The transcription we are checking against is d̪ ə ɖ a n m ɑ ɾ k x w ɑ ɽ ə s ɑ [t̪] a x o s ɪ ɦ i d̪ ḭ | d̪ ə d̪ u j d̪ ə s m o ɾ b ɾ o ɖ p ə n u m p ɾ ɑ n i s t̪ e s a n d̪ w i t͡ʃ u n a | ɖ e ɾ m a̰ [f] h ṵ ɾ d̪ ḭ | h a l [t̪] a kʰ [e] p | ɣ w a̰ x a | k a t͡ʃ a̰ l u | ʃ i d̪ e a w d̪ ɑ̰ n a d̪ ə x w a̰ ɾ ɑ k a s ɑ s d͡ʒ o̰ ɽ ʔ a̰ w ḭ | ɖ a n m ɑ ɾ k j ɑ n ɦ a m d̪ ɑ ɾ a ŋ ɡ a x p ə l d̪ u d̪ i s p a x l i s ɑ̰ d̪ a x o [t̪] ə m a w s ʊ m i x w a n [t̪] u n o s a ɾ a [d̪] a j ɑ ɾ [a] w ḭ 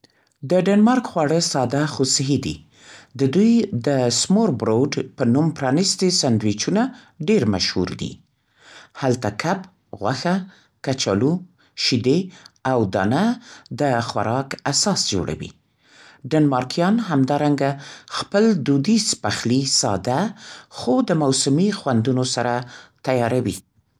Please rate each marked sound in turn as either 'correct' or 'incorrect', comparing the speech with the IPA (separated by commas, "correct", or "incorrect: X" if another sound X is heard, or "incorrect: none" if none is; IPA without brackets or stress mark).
incorrect: d̪, incorrect: ʃ, correct, incorrect: a, incorrect: d̪, incorrect: d̪, incorrect: t̪, correct